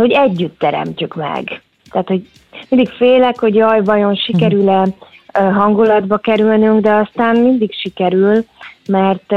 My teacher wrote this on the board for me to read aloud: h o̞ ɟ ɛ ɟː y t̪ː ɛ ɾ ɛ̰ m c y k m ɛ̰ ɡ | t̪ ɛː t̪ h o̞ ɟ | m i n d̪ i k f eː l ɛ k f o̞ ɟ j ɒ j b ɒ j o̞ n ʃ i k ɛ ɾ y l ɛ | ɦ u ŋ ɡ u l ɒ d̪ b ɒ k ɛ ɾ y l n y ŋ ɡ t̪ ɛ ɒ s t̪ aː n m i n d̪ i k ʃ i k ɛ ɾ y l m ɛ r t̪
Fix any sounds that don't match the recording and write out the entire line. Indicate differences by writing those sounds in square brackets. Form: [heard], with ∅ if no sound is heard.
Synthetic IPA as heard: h o̞ ɟ ɛ ɟː y t̪ː ɛ ɾ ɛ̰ m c y k m ɛ̰ ɡ | t̪ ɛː t̪ h o̞ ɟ | m i n d̪ i k f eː l ɛ k [h] o̞ ɟ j ɒ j b ɒ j o̞ n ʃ i k ɛ ɾ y l ɛ | ɦ [ɒ] ŋ ɡ u l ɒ d̪ b ɒ k ɛ ɾ y l n y ŋ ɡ [d̪] ɛ ɒ s t̪ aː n m i n d̪ i k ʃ i k ɛ ɾ y l m ɛ r t̪